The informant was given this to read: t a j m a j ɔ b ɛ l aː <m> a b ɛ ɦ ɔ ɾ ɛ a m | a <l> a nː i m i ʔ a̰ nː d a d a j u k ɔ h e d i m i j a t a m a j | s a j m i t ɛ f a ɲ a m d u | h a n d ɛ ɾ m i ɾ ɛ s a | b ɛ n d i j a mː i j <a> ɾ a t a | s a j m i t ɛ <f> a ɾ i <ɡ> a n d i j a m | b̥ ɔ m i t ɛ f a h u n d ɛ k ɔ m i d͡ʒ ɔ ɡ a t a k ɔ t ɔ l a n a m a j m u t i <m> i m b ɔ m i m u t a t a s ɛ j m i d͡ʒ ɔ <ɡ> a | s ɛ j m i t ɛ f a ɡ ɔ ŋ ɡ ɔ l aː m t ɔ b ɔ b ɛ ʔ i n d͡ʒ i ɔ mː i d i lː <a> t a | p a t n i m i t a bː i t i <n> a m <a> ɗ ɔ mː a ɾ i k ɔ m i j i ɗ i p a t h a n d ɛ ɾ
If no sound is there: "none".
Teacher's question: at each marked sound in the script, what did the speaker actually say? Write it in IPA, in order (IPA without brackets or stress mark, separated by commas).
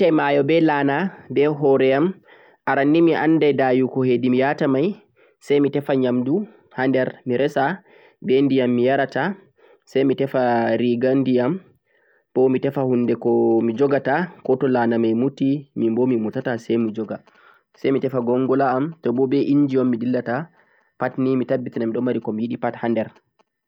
n, ɾ, a, f, ɡ, m, ɡ, a, n, i